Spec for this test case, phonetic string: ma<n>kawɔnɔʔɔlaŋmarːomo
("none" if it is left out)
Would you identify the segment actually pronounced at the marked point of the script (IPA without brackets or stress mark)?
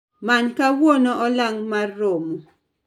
n